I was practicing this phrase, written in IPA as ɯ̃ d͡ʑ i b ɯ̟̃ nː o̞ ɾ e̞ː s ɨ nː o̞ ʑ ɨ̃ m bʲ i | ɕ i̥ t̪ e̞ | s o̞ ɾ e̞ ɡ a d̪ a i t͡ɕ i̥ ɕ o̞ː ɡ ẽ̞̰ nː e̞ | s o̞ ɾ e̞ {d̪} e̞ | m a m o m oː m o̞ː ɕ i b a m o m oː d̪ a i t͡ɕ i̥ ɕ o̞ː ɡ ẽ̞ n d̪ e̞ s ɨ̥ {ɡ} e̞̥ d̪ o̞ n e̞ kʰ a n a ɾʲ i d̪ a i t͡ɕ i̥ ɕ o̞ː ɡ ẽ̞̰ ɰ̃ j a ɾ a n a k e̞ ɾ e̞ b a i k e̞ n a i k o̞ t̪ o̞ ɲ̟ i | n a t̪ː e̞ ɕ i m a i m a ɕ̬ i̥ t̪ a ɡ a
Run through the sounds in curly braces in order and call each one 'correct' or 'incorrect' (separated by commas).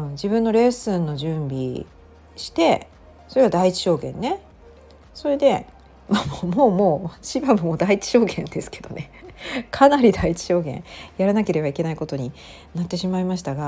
correct, incorrect